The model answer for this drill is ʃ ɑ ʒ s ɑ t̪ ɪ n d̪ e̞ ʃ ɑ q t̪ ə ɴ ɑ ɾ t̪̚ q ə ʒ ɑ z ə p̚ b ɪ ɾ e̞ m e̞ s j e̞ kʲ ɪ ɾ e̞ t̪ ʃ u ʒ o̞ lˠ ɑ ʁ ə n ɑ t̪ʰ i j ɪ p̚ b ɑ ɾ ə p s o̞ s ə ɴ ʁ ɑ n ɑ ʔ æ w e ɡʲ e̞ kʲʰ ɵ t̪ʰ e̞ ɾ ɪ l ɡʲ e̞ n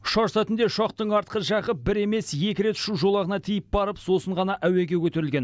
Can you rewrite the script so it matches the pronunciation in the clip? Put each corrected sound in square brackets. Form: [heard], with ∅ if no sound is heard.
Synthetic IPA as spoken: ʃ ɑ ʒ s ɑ t̪ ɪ n d̪ e̞ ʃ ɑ q t̪ ə ɴ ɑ ɾ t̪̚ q ə ʒ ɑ [ʁ] ə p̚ b ɪ ɾ e̞ m e̞ s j e̞ kʲ ɪ ɾ e̞ t̪ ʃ u ʒ o̞ lˠ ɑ ʁ ə n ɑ t̪ʰ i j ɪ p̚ b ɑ ɾ ə p s o̞ s ə ɴ ʁ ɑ n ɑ ʔ æ w e ɡʲ e̞ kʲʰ ɵ [t̪] e̞ ɾ ɪ l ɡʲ e̞ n